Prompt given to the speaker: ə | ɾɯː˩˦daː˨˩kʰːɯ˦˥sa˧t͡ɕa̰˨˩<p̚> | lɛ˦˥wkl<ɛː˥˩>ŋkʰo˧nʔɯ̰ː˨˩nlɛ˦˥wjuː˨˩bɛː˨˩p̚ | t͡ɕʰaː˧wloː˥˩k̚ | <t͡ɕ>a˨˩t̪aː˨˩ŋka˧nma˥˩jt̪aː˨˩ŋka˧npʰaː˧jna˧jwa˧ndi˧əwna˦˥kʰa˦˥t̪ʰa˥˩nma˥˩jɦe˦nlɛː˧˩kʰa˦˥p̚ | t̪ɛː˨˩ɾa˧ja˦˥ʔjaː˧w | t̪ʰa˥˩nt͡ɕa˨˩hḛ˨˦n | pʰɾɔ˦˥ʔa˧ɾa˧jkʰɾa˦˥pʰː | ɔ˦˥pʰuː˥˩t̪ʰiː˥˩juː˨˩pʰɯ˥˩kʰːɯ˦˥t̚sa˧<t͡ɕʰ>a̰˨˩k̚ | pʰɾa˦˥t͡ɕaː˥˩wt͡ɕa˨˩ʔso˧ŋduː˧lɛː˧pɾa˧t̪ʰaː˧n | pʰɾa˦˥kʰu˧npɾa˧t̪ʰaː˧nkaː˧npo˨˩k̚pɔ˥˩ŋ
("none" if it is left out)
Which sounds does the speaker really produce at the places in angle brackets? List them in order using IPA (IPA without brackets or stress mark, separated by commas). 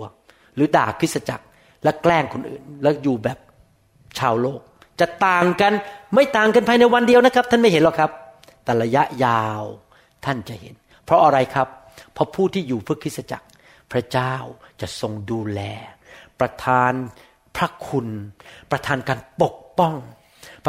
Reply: k̚, ɛː˥˩, t͡ɕ, t͡ɕ